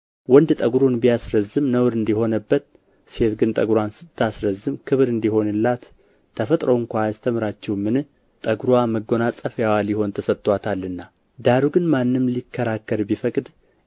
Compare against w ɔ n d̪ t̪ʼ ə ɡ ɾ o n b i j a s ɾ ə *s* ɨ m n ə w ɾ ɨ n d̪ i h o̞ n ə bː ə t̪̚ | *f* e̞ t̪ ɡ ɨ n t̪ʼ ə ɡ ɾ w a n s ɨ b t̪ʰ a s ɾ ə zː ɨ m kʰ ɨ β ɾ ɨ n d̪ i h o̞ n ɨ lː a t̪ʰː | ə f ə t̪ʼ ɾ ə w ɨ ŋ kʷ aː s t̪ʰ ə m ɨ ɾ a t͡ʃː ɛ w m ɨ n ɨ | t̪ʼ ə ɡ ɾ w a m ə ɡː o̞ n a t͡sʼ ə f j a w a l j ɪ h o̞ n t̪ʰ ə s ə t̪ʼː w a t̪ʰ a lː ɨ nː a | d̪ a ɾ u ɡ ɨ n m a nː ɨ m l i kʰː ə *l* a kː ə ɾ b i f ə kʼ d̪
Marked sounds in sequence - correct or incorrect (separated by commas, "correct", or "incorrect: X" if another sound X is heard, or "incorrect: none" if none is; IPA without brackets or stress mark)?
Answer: incorrect: z, incorrect: s, incorrect: ɾ